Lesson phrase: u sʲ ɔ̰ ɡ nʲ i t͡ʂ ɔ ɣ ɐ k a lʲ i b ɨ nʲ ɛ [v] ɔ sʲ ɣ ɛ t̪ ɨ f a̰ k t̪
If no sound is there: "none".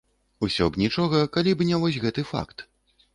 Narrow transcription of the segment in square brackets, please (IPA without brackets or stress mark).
v